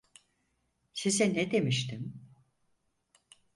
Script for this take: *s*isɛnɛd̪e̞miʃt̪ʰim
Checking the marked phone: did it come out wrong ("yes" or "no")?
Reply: no